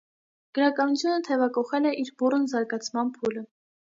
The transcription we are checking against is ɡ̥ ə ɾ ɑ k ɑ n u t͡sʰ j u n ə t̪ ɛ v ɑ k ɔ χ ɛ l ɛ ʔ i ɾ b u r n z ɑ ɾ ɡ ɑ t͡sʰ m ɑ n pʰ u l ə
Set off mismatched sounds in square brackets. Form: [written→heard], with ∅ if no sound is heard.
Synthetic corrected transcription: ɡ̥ ə ɾ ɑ k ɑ n u t͡sʰ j u n ə [t̪→t̪ʰ] ɛ v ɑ k ɔ χ ɛ l ɛ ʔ i ɾ b u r n z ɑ ɾ ɡ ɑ t͡sʰ m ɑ n pʰ u l ə